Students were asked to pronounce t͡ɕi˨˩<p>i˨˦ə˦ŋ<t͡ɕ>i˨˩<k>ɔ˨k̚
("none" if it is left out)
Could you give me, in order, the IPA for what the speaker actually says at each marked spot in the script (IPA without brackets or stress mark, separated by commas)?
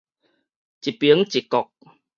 p, t͡ɕ, k